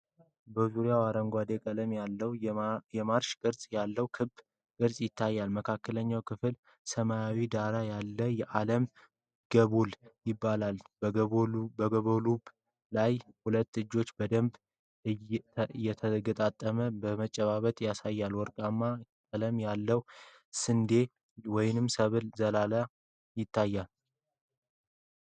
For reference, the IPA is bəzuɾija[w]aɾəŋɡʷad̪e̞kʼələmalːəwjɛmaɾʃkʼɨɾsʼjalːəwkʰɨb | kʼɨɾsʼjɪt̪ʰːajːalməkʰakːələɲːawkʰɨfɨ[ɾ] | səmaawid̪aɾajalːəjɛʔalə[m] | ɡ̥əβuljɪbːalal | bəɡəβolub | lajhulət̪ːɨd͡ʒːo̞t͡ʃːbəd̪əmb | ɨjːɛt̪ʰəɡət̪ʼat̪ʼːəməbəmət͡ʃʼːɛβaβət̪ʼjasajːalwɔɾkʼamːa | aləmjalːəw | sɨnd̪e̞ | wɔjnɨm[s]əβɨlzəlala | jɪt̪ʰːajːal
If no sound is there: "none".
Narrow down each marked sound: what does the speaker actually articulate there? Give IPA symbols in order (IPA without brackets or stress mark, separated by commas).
w, l, m, s